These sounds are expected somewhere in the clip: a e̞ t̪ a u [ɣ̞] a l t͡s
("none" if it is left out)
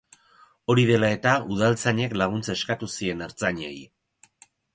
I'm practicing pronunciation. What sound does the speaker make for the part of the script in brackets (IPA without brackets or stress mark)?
ð̞